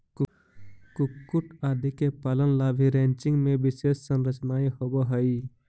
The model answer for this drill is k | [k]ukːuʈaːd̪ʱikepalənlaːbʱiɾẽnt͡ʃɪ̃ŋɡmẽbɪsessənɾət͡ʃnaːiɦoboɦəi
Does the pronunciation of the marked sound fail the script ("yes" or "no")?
no